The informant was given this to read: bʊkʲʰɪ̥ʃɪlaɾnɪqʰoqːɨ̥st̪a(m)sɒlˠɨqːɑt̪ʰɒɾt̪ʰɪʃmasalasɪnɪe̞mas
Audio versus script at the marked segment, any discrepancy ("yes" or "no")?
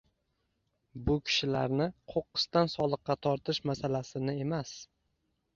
yes